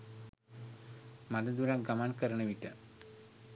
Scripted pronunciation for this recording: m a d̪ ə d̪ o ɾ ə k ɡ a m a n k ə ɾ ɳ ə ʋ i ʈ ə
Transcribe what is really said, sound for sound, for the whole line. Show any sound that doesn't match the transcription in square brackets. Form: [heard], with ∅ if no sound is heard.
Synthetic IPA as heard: m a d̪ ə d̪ [u] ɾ [a] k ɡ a m a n k ə ɾ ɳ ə ʋ i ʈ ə